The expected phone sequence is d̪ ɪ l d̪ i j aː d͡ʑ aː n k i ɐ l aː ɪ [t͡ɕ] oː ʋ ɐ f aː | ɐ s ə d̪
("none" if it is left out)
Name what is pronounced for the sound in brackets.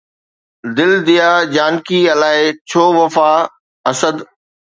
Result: t͡ɕʰ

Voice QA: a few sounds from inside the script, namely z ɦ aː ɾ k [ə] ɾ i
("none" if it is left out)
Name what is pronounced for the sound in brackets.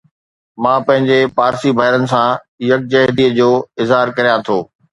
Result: ɐ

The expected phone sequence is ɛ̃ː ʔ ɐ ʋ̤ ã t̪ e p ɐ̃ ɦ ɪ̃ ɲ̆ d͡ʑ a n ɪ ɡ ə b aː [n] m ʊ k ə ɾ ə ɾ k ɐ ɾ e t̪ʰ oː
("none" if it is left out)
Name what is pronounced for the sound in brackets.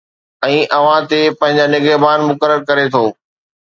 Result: n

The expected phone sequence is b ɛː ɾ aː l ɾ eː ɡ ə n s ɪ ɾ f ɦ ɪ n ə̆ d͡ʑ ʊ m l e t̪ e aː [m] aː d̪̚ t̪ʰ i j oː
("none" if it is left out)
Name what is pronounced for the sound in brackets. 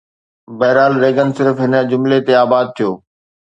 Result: b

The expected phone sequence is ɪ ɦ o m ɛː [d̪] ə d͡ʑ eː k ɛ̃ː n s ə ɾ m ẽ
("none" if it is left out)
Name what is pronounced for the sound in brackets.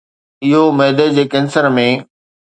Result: d̪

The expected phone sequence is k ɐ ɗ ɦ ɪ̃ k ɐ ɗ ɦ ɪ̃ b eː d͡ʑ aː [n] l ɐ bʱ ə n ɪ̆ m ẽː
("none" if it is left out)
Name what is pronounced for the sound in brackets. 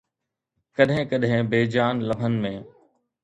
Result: n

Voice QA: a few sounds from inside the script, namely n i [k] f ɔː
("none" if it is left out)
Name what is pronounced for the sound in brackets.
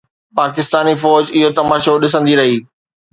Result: none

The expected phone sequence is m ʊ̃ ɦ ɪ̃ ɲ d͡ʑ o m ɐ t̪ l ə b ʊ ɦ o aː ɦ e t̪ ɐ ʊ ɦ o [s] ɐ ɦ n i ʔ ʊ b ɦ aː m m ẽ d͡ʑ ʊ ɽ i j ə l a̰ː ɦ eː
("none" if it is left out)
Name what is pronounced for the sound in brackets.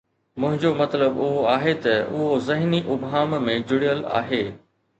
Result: z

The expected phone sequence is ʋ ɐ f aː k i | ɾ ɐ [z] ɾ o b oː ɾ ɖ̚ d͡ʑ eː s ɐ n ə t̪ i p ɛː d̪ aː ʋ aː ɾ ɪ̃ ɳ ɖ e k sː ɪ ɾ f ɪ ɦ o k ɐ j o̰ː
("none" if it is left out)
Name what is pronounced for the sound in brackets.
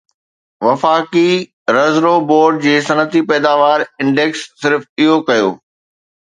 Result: z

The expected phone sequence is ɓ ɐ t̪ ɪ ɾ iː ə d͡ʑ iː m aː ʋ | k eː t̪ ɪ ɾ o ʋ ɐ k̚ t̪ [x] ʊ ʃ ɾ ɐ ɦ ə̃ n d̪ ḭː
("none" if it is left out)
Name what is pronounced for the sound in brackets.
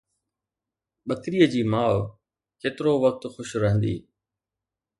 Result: x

